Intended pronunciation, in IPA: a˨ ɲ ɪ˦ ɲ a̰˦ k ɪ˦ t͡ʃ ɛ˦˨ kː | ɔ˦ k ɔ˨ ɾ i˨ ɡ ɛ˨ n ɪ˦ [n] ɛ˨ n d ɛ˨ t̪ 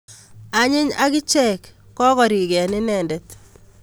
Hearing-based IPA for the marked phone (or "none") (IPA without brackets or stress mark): n